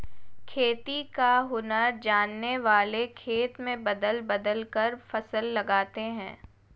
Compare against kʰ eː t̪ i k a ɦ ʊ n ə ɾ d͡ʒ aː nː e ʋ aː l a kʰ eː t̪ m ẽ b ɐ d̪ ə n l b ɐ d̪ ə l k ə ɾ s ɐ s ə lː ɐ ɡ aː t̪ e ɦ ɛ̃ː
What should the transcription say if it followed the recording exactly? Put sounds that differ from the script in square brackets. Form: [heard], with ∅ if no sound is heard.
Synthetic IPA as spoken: kʰ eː t̪ i k a ɦ ʊ n ə ɾ d͡ʒ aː nː e ʋ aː l [e] kʰ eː t̪ m ẽ b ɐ d̪ ə [∅] l b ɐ d̪ ə l k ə ɾ [f] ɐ s ə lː ɐ ɡ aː t̪ e ɦ ɛ̃ː